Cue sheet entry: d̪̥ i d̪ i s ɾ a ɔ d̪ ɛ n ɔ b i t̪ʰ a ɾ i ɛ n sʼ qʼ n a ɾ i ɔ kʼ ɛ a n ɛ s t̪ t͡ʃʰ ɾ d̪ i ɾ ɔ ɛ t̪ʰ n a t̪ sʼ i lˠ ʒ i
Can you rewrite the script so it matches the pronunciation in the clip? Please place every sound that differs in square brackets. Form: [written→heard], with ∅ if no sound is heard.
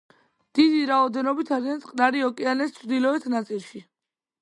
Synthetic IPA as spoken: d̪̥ i d̪ i [s→∅] ɾ a ɔ d̪ ɛ n ɔ b i t̪ʰ a ɾ i [ɛ→a] n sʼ qʼ n a ɾ i ɔ kʼ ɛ a n ɛ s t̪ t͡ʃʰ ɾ d̪ i [ɾ→l] ɔ ɛ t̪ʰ n a t̪ sʼ i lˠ [ʒ→ʃ] i